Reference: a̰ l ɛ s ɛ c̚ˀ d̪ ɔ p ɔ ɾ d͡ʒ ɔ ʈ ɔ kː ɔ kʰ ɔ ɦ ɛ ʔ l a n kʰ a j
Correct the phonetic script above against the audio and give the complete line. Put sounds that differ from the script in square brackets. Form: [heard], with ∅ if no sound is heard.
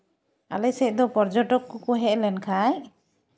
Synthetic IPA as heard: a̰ l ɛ s ɛ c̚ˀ d̪ ɔ p ɔ ɾ d͡ʒ ɔ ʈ ɔ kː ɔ [k] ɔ ɦ ɛ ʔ l [ɛ] n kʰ a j